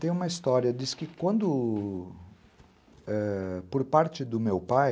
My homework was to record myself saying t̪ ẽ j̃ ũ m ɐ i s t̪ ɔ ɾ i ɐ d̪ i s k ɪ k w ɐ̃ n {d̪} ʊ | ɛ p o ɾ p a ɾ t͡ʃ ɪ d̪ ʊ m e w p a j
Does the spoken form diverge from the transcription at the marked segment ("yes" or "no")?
no